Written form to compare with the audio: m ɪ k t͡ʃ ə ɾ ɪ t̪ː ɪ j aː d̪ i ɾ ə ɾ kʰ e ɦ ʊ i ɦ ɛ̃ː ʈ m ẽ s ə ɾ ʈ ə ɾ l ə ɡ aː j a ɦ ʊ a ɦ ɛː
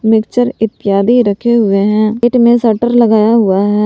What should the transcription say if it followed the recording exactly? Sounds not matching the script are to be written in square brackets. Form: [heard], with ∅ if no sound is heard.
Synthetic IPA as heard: m ɪ k t͡ʃ ə ɾ ɪ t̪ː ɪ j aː d̪ i ɾ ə [∅] kʰ e ɦ ʊ [e] ɦ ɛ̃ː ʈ m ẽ s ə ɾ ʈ ə ɾ l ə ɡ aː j a ɦ ʊ a ɦ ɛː